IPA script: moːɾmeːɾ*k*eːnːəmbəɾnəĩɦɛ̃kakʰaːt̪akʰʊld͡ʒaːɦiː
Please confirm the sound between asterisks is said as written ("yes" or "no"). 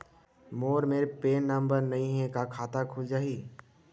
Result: no